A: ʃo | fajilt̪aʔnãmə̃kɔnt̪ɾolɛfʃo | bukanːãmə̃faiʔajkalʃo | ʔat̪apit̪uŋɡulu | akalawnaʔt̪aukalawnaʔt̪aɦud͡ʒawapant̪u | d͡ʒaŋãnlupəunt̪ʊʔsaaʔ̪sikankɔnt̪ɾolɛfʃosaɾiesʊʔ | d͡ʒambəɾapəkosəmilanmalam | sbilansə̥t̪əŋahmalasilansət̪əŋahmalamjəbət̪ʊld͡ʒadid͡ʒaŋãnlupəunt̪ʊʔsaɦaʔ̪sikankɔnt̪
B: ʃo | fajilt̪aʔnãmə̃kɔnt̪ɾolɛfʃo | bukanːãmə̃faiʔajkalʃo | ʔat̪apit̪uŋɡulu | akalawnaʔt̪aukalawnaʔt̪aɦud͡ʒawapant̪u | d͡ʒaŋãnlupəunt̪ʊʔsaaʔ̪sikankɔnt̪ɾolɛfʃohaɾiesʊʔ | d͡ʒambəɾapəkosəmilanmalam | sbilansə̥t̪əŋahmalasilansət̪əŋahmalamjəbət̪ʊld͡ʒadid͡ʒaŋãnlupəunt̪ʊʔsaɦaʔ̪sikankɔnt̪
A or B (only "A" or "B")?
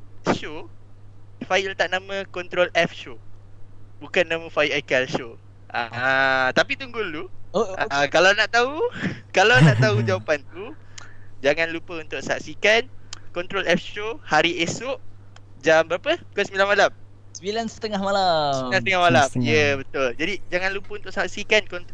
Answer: B